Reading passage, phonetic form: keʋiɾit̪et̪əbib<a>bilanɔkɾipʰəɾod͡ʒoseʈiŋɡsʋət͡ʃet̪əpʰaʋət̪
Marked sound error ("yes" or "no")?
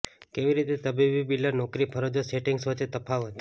yes